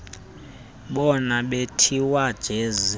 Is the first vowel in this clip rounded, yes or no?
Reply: yes